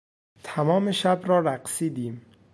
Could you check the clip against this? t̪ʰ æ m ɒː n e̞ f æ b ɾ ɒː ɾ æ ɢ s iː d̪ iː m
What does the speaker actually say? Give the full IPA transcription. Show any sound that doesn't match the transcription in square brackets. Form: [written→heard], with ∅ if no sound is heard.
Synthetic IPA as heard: t̪ʰ æ m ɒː [n→m] e̞ [f→ʃ] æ b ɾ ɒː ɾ æ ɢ s iː d̪ iː m